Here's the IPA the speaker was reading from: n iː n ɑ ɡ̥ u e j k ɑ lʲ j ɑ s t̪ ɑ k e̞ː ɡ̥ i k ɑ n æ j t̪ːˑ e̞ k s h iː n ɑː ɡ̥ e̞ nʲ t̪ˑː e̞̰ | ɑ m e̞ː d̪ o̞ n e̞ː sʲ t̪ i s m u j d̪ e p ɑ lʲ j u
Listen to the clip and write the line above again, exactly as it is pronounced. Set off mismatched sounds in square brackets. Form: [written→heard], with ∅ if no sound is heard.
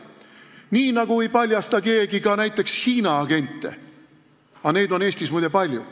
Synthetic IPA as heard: n iː n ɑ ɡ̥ u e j [k→p] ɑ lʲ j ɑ s t̪ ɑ k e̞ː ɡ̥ i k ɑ n æ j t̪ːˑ e̞ k s h iː n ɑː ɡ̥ e̞ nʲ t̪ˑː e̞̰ | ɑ [m→n] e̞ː d̪ o̞ n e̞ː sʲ t̪ i s m u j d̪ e p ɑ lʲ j u